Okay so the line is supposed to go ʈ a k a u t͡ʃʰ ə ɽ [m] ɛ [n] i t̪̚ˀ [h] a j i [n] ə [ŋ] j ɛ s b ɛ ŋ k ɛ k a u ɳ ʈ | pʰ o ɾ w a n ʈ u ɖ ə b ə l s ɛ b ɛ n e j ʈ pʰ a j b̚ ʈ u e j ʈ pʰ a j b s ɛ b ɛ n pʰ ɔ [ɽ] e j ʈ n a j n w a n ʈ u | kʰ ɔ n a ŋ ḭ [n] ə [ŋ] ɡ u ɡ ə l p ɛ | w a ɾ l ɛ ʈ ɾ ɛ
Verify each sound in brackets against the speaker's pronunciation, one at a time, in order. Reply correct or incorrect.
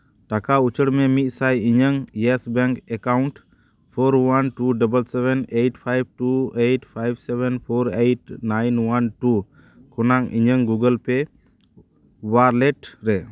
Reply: correct, incorrect, incorrect, incorrect, correct, incorrect, incorrect, correct

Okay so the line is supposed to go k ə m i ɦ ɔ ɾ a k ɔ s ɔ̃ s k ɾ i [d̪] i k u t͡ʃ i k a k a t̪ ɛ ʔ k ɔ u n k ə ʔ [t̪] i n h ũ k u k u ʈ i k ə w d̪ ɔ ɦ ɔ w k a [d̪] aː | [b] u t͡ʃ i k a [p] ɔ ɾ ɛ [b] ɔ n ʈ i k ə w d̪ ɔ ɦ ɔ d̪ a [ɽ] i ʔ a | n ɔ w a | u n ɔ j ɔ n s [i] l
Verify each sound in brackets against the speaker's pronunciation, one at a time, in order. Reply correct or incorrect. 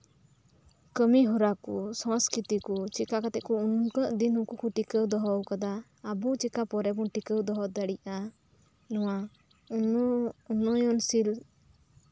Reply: incorrect, incorrect, correct, correct, correct, correct, correct, correct

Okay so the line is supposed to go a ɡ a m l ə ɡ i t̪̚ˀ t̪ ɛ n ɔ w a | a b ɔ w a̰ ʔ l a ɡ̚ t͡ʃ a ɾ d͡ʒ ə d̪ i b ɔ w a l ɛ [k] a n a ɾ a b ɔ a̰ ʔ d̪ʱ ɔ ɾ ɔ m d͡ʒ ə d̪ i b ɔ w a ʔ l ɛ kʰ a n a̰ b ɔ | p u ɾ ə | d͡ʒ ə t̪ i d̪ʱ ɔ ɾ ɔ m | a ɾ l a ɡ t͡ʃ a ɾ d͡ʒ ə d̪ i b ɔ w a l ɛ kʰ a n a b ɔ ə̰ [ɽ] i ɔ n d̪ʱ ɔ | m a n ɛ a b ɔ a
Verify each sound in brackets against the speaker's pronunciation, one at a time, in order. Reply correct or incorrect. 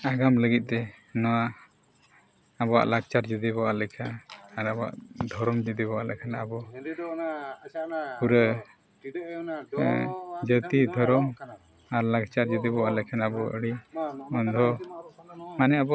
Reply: incorrect, correct

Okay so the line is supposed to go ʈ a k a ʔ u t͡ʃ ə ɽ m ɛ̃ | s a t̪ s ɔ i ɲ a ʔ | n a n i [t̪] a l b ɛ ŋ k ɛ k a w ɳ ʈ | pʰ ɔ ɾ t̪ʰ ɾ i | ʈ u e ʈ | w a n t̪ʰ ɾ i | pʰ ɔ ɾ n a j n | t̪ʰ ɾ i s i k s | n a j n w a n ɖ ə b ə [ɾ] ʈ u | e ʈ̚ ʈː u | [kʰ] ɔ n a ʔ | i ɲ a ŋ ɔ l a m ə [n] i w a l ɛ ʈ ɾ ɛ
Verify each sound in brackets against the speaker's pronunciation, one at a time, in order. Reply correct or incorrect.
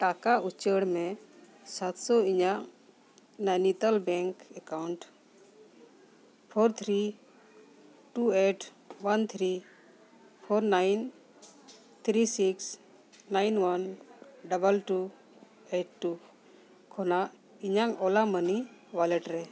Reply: correct, incorrect, correct, correct

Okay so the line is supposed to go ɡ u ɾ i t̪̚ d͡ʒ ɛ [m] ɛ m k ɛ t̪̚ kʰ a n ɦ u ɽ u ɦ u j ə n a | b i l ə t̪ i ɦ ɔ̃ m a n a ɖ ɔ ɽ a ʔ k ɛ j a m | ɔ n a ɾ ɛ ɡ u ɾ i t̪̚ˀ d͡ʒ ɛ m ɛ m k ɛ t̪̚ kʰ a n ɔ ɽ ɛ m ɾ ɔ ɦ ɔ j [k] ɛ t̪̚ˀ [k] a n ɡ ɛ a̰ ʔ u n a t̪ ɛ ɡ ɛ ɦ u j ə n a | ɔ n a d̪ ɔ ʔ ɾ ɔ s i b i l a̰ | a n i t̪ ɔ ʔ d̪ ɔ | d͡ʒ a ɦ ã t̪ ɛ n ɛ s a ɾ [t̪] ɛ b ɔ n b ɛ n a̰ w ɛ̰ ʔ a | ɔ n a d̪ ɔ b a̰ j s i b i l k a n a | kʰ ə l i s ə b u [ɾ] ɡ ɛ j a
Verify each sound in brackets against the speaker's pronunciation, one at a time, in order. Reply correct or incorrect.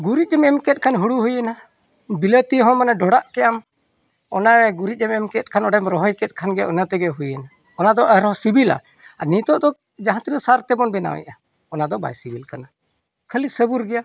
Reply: correct, correct, incorrect, correct, correct

